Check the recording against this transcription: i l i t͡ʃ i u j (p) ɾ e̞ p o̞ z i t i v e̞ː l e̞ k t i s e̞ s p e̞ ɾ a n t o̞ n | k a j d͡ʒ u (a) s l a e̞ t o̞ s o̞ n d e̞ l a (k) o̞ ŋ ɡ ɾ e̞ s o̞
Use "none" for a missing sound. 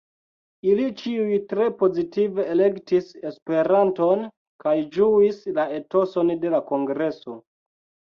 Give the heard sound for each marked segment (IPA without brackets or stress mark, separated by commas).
t, i, k